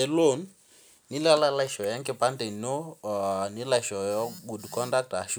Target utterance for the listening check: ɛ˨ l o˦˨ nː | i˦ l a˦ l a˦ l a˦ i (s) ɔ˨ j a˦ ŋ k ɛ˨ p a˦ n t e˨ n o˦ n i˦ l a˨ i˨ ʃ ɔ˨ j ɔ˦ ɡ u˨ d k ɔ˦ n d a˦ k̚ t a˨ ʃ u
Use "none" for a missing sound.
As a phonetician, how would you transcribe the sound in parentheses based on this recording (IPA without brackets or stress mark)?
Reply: ʃ